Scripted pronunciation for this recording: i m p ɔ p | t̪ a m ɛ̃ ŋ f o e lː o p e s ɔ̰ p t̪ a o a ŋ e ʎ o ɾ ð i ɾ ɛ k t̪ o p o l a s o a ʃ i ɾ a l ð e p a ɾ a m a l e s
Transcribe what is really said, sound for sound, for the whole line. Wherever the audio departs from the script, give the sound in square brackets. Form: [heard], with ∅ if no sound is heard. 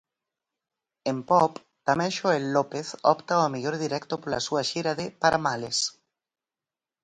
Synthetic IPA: [e] m p ɔ p | t̪ a m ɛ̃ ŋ [ʃ] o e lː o p e [θ] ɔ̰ p t̪ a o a [m] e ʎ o ɾ ð i ɾ ɛ k t̪ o p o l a s [u] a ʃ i ɾ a [∅] ð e p a ɾ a m a l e s